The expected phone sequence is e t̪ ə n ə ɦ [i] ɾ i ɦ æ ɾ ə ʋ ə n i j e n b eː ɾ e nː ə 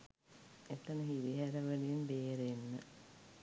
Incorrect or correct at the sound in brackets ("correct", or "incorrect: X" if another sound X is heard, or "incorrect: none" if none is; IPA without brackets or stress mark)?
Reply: correct